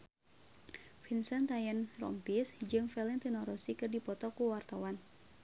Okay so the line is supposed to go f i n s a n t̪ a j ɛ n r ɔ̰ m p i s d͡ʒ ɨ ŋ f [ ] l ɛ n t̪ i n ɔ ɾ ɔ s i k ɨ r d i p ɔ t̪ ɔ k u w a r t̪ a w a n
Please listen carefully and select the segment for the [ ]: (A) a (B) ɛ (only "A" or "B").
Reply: B